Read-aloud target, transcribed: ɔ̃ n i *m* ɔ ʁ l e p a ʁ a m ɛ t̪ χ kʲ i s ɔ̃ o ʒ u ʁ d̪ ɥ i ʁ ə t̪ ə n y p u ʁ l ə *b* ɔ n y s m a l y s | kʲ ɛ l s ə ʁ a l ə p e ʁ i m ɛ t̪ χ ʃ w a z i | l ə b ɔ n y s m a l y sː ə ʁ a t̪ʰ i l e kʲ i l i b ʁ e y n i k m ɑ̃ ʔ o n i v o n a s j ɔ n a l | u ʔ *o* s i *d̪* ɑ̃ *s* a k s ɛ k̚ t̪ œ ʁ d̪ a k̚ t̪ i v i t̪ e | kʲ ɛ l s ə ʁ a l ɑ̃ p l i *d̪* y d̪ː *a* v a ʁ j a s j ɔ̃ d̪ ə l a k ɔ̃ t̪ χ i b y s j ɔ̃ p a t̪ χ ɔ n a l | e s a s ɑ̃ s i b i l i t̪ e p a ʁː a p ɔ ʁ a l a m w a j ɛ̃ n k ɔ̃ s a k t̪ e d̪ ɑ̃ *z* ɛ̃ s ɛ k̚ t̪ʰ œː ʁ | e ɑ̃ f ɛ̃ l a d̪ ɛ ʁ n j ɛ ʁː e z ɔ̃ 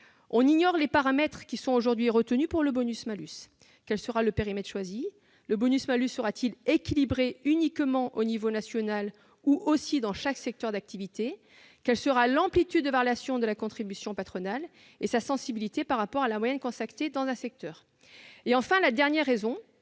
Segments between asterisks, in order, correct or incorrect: incorrect: ɲ, correct, correct, correct, incorrect: ʃ, incorrect: t̪, incorrect: ə, correct

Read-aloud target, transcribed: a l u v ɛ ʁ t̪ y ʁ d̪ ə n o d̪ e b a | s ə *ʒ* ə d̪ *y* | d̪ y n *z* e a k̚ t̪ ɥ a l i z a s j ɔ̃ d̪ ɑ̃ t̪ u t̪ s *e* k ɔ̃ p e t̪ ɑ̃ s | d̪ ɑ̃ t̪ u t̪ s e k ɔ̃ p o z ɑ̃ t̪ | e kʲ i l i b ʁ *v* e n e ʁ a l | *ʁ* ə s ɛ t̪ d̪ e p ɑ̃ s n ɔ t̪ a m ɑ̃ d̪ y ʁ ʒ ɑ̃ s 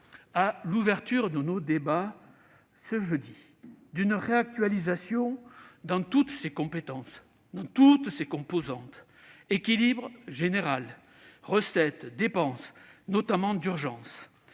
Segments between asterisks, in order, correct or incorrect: correct, incorrect: i, incorrect: ʁ, correct, incorrect: ʒ, correct

